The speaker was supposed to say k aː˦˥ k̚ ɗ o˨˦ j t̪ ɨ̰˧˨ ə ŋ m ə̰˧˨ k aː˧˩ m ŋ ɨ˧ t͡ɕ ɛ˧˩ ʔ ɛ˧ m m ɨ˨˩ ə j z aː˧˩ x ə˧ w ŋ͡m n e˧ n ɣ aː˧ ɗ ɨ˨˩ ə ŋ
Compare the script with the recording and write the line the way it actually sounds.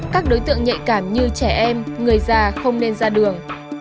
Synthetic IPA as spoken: k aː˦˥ k̚ ɗ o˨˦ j t̪ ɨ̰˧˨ ə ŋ ɲ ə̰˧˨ k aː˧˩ m ɲ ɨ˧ t͡ɕ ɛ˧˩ ʔ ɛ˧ m ŋ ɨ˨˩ ə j z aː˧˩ x ə˧ w ŋ͡m n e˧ n z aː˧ ɗ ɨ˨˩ ə ŋ